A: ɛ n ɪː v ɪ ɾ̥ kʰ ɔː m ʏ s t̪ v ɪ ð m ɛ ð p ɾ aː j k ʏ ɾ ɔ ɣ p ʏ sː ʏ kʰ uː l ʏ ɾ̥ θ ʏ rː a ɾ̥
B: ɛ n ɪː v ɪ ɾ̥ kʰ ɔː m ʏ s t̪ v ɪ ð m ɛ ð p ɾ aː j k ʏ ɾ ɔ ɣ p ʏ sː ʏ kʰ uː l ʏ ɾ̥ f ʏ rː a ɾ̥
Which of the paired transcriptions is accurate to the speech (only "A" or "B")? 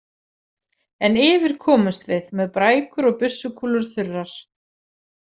A